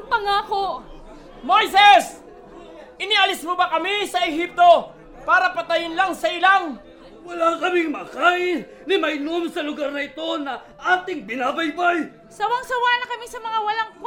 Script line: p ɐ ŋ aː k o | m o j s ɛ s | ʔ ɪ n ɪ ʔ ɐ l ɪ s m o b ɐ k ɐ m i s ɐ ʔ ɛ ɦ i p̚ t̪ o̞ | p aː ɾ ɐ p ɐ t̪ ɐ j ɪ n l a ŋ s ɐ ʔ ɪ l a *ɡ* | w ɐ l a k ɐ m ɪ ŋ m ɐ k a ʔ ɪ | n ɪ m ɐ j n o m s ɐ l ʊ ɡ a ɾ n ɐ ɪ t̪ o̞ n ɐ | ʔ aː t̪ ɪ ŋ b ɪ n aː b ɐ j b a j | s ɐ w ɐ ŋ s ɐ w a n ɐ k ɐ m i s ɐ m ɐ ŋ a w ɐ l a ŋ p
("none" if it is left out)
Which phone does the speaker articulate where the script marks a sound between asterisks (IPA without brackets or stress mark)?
ŋ